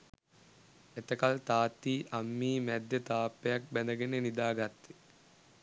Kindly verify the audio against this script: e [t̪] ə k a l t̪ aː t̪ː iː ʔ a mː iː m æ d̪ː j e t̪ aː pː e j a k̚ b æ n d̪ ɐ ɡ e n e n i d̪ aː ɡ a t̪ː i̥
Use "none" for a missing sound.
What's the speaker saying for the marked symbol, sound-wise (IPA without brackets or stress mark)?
t̪